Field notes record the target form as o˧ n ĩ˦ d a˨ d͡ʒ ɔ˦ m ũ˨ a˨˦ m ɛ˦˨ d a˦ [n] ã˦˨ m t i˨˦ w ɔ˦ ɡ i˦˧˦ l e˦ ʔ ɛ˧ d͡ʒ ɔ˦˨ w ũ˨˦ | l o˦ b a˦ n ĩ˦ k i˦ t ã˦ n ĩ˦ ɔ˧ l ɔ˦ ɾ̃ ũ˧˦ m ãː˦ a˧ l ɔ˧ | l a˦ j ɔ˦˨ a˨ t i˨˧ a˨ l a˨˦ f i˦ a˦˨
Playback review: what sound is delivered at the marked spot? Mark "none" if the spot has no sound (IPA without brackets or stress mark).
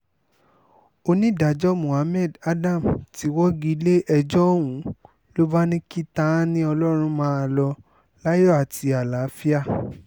d